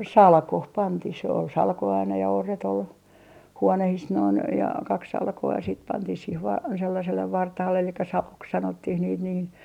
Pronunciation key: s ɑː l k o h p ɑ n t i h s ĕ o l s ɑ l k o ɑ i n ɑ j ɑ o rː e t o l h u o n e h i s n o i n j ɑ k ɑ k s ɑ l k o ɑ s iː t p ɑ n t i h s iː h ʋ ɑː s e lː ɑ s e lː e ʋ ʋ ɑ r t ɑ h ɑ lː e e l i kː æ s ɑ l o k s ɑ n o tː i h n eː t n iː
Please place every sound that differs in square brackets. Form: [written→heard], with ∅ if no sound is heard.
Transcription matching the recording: s [ɑː→ɑ] l k o h p ɑ n t i h s ĕ o l s ɑ l k o ɑ i n ɑ j ɑ o rː e t o l h u o n e h i s n o i n j ɑ k ɑ k s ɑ l k o ɑ s iː t p ɑ n t i h s iː h ʋ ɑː s e lː ɑ s e lː e ʋ ʋ ɑ r t ɑ h ɑ lː e e l i kː æ s ɑ l o k s ɑ n o tː i h n [eː→iː] t n iː